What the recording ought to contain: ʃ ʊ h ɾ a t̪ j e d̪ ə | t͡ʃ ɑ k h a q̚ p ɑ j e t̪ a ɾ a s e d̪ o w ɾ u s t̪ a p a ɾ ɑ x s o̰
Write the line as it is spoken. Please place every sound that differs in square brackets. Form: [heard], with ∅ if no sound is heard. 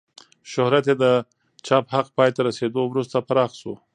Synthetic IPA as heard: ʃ ʊ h ɾ a t̪ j e d̪ ə | t͡ʃ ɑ [p] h a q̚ p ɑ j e t̪ a ɾ a s e d̪ o w ɾ u s t̪ a p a ɾ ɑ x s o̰

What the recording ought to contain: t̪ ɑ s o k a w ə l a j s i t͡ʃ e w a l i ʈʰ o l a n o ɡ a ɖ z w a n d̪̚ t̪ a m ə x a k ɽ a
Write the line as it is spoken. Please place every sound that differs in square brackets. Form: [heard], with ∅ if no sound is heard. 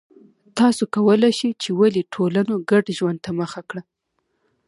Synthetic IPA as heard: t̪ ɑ s o k a w ə l a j [ʃ] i t͡ʃ e w a l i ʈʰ o l a n o ɡ a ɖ [ʒ] w a n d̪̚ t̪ a m ə x a k ɽ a

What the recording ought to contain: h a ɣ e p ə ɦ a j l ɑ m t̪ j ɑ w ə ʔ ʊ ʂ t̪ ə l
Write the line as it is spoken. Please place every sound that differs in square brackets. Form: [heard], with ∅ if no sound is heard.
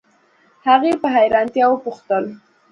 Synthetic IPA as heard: h a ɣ e p ə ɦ a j [ɾ] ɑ [n] t̪ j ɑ w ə [p] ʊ [x] t̪ ə l

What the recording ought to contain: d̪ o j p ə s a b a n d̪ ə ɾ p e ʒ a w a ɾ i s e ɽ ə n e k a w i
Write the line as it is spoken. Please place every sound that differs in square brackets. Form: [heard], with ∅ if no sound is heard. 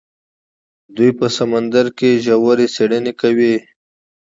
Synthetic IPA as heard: d̪ [u] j p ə s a [m] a n d̪ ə ɾ [k] e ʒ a w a ɾ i s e ɽ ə n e k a w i

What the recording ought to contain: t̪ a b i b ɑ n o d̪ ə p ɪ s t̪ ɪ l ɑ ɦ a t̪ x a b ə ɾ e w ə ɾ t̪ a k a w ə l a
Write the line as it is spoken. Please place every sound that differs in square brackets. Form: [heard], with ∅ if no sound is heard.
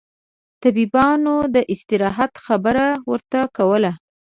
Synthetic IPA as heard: t̪ a b i b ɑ n o d̪ ə [ʔ] ɪ s t̪ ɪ [ɾ] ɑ ɦ a t̪ x a b ə ɾ [a] w ə ɾ t̪ a k a w ə l a

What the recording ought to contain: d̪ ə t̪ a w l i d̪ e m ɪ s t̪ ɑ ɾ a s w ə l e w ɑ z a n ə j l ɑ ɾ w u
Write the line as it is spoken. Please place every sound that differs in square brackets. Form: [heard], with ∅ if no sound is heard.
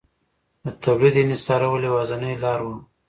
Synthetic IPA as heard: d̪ ə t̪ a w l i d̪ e [n] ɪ s t̪ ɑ ɾ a [∅] w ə l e w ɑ z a n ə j l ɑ ɾ w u

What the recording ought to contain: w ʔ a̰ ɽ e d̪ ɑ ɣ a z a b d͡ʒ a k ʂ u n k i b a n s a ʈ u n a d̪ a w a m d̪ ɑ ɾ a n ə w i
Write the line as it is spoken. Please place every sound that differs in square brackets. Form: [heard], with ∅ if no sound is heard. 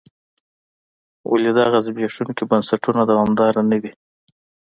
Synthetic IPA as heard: w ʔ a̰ [l] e d̪ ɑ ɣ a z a b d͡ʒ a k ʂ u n k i b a n s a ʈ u n a d̪ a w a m d̪ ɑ ɾ a n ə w i

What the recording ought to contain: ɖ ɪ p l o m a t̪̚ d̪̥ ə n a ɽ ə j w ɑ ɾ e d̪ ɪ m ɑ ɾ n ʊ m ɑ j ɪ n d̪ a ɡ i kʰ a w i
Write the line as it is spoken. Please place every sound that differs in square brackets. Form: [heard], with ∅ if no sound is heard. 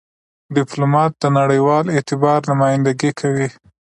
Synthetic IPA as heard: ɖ ɪ p l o m [ɑ] t̪̚ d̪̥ ə n a ɽ ə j w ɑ [l] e [t̪] ɪ [b] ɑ ɾ n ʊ m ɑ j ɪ n d̪ a ɡ i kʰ a w i

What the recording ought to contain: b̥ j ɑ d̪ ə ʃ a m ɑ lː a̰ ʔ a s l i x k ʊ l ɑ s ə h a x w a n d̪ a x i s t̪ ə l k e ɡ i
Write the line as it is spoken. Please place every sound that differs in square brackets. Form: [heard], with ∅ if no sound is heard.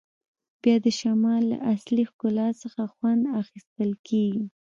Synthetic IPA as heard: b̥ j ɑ d̪ ə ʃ a m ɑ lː a̰ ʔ a s l i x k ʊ l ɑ s ə [x] a x w a n d̪ a x i s t̪ ə l k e ɡ i

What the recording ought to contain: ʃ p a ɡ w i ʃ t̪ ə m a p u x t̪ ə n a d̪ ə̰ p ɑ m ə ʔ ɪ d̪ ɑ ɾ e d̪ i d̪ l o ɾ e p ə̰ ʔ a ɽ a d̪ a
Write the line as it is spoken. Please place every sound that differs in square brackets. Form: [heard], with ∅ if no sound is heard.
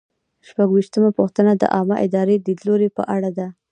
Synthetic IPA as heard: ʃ p a ɡ w i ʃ t̪ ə m a p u x t̪ ə n a d̪ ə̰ [ʔ] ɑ m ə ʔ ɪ d̪ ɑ ɾ e d̪ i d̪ l o ɾ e p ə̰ ʔ a ɽ a d̪ a

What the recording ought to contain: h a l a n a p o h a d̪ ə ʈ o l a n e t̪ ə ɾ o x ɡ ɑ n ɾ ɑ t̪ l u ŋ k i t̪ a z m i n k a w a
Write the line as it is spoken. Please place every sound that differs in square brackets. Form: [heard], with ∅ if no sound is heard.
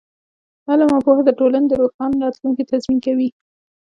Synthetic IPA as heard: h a l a [m] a p o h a d̪ ə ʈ o l a n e [d̪] ə ɾ o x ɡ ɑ n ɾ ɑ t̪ l u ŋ k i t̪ a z m i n k a w [i]

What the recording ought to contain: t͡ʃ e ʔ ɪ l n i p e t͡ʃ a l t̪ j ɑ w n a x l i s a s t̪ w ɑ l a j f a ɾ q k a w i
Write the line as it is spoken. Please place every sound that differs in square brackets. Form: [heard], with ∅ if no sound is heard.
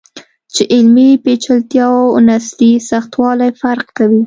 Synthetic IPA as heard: t͡ʃ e ʔ ɪ l [m] i p e t͡ʃ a l t̪ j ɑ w n a [s] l i s a [x] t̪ w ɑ l a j f a ɾ q k a w i

